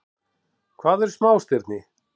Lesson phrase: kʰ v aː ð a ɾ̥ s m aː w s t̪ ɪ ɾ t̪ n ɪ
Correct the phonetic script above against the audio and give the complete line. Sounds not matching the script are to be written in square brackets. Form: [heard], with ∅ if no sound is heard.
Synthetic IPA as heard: kʰ v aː ð [ɛ] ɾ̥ s m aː w s t̪ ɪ ɾ t̪ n ɪ